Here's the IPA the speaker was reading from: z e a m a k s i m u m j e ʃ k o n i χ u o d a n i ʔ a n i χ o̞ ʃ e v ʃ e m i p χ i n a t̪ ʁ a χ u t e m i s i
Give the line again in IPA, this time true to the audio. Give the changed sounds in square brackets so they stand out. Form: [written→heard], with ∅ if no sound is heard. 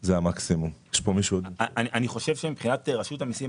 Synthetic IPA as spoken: z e a m a k s i m u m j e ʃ [k→p] o [n→m] i [χ→ʃ] u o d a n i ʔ a n i χ o̞ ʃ e v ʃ e m i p χ i n a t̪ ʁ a [χ→ʃ] u t [e→a] m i s i